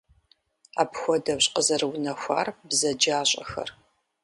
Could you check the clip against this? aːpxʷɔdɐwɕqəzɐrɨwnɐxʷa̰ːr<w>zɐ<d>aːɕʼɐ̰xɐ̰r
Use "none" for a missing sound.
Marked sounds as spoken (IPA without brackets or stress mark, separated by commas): b, d͡ʒ